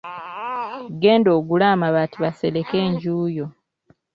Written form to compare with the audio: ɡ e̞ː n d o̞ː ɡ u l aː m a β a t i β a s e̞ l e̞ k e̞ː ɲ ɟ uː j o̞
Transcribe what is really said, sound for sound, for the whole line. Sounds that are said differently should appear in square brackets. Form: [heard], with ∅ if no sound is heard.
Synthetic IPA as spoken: ɡ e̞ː n d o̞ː ɡ u l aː m a β a t i β a s e̞ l e̞ k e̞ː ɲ ɟ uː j o̞